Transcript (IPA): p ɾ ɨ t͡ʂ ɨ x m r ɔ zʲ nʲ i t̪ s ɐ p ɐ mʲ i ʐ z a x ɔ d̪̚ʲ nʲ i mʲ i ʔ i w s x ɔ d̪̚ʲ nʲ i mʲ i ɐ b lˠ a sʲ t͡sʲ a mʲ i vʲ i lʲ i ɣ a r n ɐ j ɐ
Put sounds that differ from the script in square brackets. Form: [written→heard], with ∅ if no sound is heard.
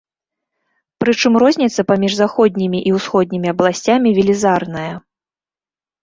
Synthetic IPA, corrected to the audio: p ɾ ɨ t͡ʂ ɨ [x→∅] m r ɔ zʲ nʲ i t̪ s ɐ p [ɐ→a] mʲ i ʐ z a x ɔ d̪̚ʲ nʲ i mʲ i ʔ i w s x ɔ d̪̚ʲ nʲ i mʲ i ɐ b lˠ a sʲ t͡sʲ a mʲ i vʲ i lʲ i [ɣ→z] a r n ɐ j ɐ